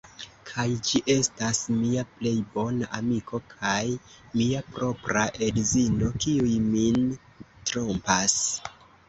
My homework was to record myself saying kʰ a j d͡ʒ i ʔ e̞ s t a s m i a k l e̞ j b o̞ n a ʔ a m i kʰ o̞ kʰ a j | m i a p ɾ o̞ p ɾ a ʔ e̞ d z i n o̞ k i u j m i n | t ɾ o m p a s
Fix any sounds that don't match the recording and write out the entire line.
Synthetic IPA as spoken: kʰ a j d͡ʒ i ʔ e̞ s t a s m i a p l e̞ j b o̞ n a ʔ a m i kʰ o̞ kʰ a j | m i a p ɾ o̞ p ɾ a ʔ e̞ d z i n o̞ k i u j m i n | t ɾ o m p a s